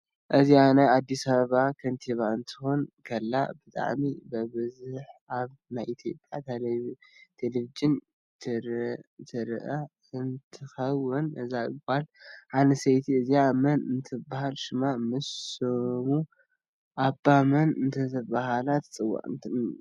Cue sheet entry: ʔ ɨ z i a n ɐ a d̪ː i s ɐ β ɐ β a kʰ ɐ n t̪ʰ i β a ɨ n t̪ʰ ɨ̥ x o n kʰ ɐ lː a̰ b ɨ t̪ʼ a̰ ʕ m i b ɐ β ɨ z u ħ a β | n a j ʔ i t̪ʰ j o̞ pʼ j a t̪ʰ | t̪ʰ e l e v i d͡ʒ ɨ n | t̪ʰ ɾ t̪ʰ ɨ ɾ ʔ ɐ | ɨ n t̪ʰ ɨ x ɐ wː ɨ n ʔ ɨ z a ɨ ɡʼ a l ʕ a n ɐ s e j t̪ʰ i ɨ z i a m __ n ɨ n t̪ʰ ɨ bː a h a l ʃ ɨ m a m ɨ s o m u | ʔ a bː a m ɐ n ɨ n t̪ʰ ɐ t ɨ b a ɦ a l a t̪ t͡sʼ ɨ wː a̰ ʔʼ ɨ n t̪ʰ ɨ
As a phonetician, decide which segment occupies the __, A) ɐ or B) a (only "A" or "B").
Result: A